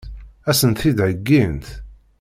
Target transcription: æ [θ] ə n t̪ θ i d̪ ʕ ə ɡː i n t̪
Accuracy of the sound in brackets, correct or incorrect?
incorrect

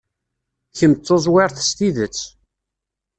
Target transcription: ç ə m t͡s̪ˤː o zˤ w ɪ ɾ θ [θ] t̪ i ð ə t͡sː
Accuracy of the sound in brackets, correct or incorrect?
incorrect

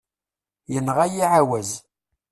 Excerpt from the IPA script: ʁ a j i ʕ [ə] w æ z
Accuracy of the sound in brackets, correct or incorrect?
incorrect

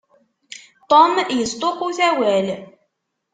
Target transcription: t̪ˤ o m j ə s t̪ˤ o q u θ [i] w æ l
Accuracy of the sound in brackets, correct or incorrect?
incorrect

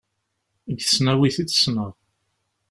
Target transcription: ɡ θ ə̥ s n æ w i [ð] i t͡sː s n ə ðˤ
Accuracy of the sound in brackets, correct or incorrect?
incorrect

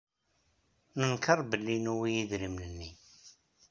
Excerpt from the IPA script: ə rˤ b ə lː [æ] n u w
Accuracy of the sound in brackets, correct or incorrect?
incorrect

